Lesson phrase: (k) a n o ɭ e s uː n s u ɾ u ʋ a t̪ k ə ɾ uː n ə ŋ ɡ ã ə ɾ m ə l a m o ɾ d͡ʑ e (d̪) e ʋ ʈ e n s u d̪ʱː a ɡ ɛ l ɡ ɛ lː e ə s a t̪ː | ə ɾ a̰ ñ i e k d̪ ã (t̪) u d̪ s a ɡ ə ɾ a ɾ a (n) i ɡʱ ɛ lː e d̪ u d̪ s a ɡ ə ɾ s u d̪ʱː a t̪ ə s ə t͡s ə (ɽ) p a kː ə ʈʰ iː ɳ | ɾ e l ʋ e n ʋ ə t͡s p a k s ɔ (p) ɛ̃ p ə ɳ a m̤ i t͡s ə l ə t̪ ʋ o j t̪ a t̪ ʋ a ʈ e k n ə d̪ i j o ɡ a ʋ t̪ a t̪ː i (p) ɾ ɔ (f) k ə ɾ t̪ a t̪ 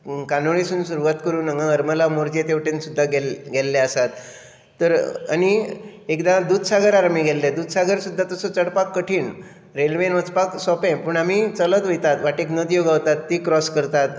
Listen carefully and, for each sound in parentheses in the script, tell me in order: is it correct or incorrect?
correct, incorrect: t̪, incorrect: d̪, incorrect: m, correct, correct, incorrect: k, incorrect: s

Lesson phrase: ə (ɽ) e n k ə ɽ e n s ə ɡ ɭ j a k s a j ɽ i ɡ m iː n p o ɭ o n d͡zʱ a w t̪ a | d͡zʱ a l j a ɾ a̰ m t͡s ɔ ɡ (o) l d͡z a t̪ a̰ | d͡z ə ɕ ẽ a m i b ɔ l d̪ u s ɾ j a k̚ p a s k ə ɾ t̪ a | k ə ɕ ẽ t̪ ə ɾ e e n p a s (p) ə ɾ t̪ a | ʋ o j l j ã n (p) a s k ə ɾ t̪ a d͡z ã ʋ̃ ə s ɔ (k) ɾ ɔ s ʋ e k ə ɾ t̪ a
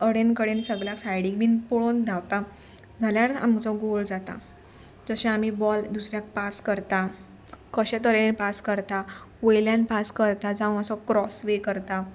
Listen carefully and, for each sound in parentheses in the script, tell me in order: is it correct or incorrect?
correct, correct, incorrect: k, correct, correct

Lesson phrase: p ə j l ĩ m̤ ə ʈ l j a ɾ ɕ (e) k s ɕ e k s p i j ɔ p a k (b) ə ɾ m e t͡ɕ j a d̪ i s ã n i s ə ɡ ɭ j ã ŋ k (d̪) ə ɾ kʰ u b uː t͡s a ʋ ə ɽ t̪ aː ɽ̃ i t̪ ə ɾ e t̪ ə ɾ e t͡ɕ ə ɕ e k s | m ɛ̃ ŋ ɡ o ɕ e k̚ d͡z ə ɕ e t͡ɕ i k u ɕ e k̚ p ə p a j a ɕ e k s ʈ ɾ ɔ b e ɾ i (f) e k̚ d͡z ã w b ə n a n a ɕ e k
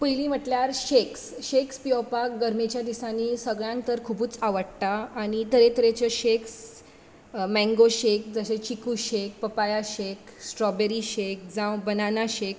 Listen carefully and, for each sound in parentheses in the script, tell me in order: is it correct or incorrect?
correct, incorrect: ɡ, incorrect: t̪, incorrect: ɕ

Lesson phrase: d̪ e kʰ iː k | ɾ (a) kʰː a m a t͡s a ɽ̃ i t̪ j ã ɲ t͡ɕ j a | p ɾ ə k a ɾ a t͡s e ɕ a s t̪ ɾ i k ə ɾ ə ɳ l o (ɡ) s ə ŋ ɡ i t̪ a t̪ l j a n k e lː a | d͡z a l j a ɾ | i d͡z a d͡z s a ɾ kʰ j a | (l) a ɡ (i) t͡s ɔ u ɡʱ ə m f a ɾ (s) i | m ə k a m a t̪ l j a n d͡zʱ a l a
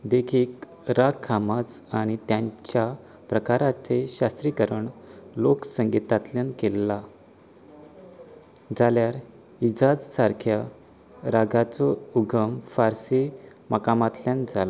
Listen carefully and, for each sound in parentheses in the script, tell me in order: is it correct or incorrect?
correct, incorrect: k, incorrect: ɾ, incorrect: a, correct

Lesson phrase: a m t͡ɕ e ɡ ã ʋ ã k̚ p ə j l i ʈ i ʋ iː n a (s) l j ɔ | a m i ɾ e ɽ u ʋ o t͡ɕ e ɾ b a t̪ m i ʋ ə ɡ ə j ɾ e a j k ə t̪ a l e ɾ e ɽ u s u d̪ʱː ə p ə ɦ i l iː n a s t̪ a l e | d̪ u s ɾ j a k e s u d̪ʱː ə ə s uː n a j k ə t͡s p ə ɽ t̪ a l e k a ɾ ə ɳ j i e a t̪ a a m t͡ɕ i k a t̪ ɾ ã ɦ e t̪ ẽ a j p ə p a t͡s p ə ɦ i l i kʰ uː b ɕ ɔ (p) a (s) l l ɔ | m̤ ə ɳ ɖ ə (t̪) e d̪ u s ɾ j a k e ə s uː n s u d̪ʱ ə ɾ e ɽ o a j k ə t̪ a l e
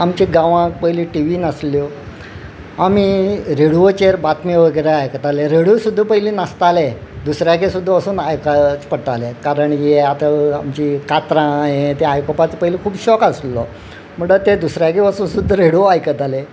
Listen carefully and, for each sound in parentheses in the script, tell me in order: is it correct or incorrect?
correct, incorrect: k, correct, correct

